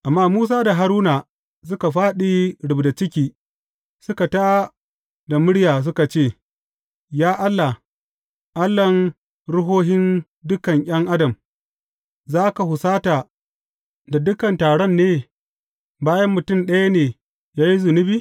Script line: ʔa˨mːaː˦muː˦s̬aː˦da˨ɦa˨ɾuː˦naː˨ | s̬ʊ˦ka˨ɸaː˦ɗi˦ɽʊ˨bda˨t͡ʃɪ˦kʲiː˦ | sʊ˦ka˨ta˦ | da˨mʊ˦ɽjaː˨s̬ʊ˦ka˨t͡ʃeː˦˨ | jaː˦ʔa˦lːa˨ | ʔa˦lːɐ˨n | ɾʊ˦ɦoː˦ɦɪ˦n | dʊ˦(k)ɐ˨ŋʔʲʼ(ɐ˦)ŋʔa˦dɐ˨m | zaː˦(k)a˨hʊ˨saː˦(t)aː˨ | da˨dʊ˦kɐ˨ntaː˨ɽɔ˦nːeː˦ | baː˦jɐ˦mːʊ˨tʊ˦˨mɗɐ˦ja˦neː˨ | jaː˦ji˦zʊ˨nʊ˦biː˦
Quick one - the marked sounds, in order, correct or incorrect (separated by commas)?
correct, correct, correct, correct